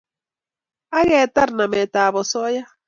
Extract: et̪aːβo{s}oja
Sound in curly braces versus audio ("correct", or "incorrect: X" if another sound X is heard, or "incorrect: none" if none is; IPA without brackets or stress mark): correct